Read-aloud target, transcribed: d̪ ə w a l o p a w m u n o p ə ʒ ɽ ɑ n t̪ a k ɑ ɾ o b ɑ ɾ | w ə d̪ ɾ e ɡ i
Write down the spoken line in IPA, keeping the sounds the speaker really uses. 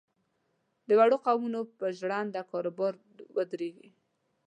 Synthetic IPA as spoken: d̪ ə w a ɽ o q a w m u n o p ə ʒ ɽ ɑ n d̪ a k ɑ ɾ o b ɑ ɾ | w ə d̪ ɾ e ɡ i